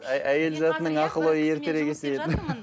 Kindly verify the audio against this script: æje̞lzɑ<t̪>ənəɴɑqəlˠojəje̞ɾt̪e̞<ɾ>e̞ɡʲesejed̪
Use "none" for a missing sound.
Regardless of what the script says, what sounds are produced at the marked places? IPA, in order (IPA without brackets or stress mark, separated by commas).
t̪, ɾ